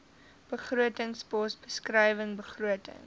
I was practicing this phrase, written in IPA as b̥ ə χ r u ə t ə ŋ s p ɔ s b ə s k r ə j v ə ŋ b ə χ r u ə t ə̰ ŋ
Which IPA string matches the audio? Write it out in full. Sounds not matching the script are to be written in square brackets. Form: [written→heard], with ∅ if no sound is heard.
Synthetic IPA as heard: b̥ ə χ r u ə t ə ŋ s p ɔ s b ə s k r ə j v ə ŋ b ə χ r u ə t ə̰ ŋ